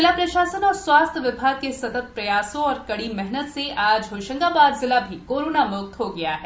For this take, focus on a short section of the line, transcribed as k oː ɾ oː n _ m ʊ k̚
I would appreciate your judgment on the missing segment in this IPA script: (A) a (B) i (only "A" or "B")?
A